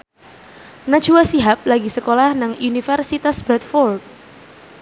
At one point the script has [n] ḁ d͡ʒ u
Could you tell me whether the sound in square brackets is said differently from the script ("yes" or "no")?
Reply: no